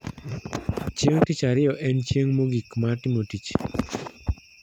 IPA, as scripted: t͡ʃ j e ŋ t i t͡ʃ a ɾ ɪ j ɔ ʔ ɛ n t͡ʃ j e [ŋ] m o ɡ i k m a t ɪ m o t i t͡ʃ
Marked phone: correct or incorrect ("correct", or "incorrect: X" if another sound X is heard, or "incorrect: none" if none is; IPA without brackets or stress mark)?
correct